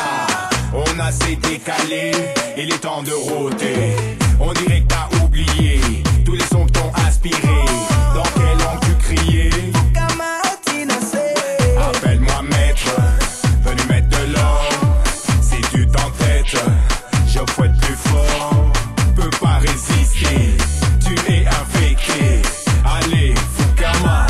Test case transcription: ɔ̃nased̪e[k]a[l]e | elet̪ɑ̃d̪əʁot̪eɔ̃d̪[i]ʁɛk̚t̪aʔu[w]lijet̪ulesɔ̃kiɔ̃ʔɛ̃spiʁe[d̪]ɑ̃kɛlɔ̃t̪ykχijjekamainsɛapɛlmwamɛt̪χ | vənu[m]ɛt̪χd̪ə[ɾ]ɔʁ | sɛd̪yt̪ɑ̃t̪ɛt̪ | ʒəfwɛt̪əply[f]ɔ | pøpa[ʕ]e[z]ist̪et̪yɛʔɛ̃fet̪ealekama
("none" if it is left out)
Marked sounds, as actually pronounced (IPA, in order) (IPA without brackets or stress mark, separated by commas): k, l, i, b, d̪, m, l, f, ʁ, z